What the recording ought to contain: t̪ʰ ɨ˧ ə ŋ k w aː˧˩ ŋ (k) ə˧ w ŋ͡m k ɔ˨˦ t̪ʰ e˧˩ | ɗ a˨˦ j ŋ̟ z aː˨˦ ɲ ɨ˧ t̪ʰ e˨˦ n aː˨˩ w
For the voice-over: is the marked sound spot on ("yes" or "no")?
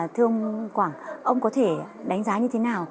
no